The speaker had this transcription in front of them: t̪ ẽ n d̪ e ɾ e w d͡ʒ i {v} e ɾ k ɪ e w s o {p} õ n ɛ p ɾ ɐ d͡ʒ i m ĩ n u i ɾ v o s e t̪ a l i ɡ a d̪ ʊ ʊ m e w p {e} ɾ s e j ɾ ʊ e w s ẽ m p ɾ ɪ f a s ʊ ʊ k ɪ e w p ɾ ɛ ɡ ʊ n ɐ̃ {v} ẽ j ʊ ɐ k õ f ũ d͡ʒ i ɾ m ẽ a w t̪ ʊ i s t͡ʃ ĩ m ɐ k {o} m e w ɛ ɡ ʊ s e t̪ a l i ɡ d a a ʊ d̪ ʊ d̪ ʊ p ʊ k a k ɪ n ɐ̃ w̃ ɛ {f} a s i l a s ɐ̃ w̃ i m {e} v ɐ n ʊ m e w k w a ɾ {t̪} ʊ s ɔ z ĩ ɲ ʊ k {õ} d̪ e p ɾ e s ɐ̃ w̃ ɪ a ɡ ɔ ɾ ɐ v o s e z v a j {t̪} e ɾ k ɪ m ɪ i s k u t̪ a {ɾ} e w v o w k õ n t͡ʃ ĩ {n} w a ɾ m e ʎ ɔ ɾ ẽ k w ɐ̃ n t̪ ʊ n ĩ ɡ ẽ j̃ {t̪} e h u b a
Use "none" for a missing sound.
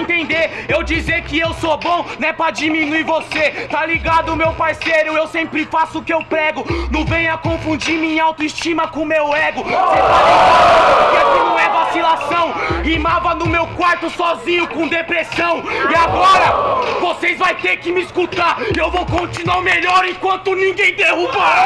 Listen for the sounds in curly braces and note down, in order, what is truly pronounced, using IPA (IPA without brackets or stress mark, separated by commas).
z, b, a, v, õ, v, a, t̪, õ, t̪, ɾ, n, d̪